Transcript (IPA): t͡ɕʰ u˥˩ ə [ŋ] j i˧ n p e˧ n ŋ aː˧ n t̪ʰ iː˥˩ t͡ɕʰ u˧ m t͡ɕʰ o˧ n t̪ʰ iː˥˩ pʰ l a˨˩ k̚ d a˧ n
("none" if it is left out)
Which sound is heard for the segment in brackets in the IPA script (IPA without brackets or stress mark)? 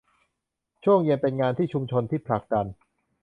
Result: ŋ